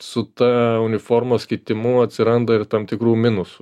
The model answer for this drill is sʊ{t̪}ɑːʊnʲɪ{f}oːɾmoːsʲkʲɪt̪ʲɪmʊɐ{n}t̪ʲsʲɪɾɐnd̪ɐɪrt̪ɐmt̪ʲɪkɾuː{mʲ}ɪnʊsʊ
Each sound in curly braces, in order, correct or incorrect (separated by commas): correct, correct, incorrect, correct